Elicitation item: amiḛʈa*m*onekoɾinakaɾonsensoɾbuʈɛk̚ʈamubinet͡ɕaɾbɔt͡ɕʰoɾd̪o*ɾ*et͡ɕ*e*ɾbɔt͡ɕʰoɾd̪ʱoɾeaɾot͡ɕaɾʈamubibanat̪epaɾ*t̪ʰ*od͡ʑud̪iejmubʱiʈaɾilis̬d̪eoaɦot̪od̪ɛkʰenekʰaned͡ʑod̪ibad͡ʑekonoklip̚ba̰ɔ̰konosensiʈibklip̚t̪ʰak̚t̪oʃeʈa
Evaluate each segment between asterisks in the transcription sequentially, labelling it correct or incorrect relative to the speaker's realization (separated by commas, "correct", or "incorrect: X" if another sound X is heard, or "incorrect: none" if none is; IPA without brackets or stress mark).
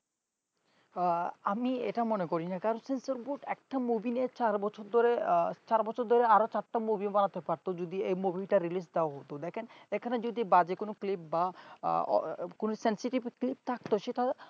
correct, correct, incorrect: a, incorrect: t̪